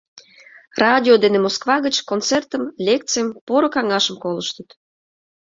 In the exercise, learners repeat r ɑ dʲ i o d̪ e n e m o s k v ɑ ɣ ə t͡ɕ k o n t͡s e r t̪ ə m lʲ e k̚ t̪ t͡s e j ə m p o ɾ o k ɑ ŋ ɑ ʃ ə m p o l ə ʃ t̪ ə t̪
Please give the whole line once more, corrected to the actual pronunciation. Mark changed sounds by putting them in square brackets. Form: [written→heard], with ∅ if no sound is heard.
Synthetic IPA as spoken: r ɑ dʲ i o d̪ e n e m o s k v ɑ ɣ ə t͡ɕ k o n t͡s e r t̪ ə m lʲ e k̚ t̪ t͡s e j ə m p o ɾ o k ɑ ŋ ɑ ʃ ə m [p→k] o l ə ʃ t̪ ə t̪